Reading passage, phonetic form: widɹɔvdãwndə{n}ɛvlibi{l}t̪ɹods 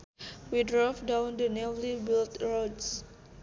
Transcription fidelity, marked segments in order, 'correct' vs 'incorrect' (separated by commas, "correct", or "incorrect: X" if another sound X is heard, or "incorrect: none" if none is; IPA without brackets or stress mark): correct, correct